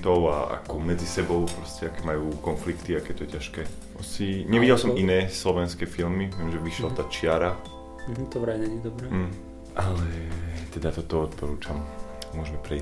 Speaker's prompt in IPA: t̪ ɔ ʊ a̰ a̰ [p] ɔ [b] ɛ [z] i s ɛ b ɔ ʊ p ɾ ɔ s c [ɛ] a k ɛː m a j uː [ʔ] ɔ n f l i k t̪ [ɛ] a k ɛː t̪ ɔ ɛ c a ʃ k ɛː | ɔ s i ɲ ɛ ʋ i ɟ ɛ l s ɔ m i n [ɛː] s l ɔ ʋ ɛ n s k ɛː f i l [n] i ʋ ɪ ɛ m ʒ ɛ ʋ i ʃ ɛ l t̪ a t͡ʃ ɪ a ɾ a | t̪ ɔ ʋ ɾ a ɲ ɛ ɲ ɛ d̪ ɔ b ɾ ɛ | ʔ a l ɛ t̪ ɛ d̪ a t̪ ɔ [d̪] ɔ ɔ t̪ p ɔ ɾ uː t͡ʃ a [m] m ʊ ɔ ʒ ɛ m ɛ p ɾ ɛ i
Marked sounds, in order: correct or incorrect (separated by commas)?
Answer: incorrect, incorrect, incorrect, correct, incorrect, incorrect, correct, incorrect, incorrect, correct